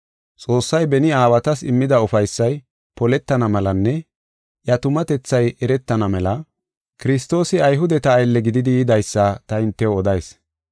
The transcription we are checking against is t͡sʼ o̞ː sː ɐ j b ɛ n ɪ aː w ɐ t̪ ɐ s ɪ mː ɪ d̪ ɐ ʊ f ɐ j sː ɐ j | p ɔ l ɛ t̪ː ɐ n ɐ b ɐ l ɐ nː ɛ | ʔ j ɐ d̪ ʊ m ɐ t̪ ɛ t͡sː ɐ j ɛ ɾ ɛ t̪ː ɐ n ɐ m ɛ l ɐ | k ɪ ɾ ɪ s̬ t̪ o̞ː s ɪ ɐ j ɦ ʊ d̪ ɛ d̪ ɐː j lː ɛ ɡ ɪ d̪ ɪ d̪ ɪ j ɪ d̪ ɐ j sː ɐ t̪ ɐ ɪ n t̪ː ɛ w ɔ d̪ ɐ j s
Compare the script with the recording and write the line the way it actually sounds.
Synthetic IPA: t͡sʼ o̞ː sː ɐ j b ɛ n ɪ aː w ɐ t̪ ɐ s ɪ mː ɪ d̪ ɐ ʊ f ɐ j sː ɐ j | p ɔ l ɛ t̪ː ɐ n ɐ m ɐ l ɐ nː ɛ | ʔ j ɐ t̪ ʊ m ɐ t̪ ɛ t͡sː ɐ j ɛ ɾ ɛ t̪ː ɐ n ɐ m ɛ l ɐ | k ɪ ɾ ɪ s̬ t̪ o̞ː s ɪ ɐ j ɦ ʊ d̪ ɛ t̪ ɐː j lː ɛ ɡ ɪ d̪ ɪ d̪ ɪ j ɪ d̪ ɐ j sː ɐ t̪ ɐ ɪ n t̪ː ɛ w ɔ d̪ ɐ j s